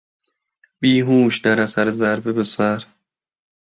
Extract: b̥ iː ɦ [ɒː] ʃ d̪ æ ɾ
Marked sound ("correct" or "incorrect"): incorrect